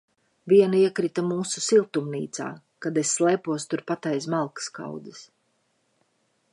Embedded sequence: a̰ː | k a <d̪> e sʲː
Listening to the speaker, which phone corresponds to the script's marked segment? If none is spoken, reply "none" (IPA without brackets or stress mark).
d̪